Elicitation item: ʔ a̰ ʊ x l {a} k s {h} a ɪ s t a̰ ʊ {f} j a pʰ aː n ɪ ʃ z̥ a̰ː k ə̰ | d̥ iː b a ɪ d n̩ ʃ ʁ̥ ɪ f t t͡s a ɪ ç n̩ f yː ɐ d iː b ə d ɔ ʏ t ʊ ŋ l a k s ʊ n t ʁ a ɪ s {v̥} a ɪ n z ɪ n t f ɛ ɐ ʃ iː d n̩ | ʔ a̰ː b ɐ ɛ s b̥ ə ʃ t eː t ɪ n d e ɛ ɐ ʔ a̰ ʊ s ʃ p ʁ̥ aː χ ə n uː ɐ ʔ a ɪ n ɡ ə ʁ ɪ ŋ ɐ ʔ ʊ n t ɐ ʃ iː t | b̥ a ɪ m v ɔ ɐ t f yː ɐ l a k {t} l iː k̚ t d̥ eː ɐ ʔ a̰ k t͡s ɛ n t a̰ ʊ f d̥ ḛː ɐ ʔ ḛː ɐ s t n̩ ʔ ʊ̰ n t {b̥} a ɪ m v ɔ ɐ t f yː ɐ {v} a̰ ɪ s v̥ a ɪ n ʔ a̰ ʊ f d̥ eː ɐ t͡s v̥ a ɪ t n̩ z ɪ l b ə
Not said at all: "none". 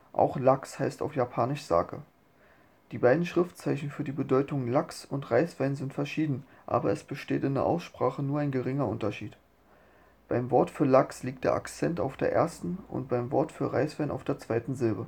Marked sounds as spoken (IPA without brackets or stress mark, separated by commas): a, h, f, v̥, s, b̥, ʁ